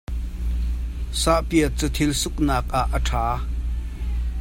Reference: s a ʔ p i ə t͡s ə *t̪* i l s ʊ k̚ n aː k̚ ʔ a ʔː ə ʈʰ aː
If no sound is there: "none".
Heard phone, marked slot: t̪ʰ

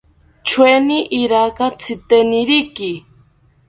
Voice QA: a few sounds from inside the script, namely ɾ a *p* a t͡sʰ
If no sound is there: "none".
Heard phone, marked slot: k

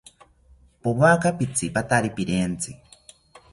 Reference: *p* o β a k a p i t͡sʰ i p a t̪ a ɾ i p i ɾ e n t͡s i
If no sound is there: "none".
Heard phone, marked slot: p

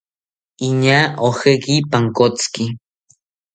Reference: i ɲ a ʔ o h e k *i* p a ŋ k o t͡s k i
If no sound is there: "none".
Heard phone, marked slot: i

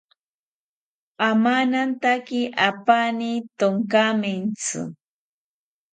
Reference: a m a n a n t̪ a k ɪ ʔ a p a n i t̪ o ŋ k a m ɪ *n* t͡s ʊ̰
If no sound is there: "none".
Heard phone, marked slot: n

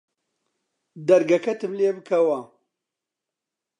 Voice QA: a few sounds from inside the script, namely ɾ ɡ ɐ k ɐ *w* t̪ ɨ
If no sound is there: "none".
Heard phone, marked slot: none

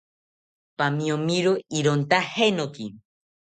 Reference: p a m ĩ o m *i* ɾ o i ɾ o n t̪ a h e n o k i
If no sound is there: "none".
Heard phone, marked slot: i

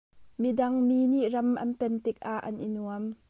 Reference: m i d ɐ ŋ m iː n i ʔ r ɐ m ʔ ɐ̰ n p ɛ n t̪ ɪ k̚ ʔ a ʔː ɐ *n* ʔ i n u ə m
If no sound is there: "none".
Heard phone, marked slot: n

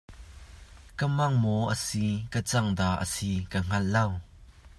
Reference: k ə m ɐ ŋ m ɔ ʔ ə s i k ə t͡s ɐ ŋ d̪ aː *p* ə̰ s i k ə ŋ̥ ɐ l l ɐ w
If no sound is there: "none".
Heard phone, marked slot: ʔ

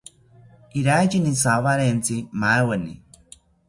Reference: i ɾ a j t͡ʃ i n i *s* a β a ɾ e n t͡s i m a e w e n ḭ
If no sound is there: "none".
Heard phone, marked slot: s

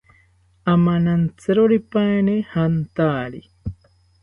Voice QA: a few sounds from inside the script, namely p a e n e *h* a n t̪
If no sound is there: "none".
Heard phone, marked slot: h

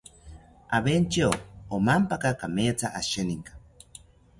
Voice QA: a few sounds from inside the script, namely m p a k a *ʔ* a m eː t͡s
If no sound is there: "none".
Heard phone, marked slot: k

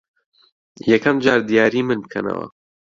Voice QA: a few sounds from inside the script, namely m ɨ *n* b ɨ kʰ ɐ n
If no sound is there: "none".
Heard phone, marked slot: n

